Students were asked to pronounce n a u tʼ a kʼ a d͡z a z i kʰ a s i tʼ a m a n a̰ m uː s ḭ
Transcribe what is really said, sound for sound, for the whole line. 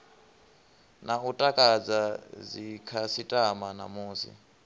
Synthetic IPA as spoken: n a u tʼ a kʼ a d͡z a z i kʰ a s i tʼ a m a n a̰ m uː s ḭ